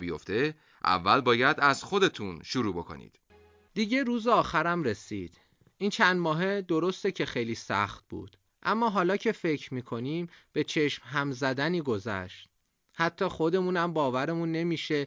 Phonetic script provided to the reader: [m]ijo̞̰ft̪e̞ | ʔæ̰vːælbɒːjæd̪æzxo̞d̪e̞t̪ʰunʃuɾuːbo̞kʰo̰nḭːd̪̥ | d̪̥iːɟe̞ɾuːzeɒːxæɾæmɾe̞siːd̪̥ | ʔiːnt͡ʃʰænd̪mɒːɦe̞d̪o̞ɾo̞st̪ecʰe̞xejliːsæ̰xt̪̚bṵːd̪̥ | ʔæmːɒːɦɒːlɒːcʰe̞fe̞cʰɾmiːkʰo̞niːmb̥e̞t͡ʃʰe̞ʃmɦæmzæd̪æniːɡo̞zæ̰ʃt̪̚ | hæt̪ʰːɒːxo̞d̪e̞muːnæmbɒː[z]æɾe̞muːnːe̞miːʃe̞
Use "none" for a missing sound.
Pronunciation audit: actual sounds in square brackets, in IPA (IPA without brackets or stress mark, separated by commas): b, v